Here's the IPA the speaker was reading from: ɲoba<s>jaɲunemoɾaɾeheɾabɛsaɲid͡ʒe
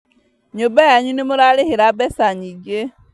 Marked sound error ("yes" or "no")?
yes